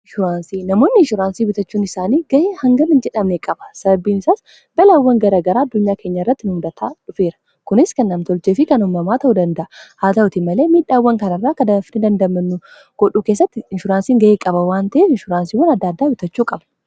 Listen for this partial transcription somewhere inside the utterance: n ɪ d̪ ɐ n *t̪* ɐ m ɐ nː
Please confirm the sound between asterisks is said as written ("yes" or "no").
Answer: no